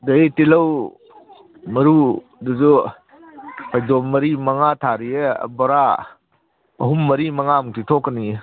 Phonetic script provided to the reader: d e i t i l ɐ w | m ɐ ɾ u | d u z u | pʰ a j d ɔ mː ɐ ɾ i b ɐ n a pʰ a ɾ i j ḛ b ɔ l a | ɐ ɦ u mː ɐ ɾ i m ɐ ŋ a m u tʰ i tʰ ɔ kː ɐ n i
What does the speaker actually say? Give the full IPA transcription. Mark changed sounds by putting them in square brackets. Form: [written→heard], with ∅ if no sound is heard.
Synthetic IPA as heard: d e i t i l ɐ w | m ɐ ɾ u | d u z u | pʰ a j d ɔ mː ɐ ɾ i [b→m] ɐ [n→ŋ] a [pʰ→tʰ] a ɾ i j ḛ b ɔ [l→ɾ] a | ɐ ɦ u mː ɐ ɾ i m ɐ ŋ a m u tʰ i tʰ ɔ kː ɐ n i